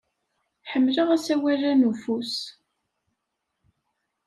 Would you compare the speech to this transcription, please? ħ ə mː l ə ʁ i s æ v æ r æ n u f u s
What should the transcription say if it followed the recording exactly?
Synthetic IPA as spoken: ħ ə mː l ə ʁ æ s æ w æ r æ n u f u s